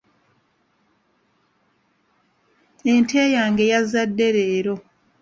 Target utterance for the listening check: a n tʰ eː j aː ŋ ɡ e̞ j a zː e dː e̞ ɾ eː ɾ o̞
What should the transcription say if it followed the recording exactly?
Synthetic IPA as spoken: e n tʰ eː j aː ŋ ɡ e̞ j a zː a dː e̞ ɾ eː ɾ o̞